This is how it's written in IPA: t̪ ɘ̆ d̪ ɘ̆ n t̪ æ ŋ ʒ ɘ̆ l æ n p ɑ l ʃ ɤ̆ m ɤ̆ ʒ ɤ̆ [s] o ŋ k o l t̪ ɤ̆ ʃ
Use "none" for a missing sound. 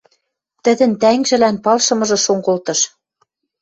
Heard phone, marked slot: ʃ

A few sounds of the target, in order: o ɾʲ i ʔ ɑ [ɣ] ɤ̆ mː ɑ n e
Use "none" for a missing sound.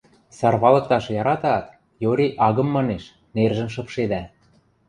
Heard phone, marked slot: ɣ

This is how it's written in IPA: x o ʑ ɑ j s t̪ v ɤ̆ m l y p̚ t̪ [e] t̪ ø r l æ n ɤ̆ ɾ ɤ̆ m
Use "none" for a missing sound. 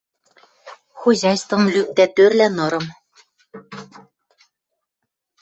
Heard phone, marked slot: æ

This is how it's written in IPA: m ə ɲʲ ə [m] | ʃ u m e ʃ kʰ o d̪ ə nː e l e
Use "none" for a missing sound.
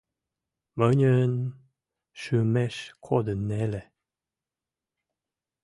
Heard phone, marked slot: n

